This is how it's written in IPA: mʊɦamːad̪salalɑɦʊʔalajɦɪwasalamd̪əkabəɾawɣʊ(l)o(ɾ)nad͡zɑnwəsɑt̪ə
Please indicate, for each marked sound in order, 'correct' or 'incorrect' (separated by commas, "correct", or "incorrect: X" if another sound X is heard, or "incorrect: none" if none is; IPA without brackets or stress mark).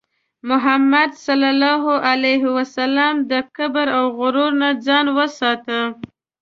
incorrect: ɾ, correct